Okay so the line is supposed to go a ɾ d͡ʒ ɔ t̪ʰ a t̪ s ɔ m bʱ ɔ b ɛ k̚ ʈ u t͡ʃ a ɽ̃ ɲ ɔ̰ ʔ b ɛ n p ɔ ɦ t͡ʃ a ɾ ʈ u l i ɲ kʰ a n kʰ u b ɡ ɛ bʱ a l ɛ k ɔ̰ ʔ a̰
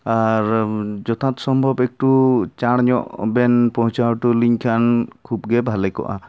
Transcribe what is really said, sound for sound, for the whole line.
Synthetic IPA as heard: a ɾ d͡ʒ ɔ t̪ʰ a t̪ s ɔ m bʱ ɔ b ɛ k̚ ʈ u t͡ʃ a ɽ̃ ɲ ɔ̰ ʔ b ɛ n p ɔ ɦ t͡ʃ a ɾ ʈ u l i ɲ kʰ a n kʰ u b ɡ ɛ bʱ a l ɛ k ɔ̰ ʔ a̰